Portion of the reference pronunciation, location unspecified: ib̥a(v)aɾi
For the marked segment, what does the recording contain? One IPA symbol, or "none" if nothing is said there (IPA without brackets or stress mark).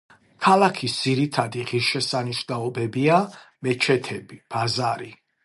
z